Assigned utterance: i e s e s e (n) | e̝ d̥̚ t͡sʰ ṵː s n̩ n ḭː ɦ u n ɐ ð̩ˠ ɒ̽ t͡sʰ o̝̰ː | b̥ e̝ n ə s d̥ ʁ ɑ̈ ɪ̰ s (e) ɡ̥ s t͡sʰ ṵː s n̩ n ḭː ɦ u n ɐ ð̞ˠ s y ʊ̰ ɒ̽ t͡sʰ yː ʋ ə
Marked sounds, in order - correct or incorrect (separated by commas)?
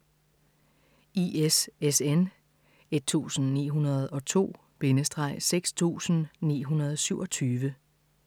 correct, correct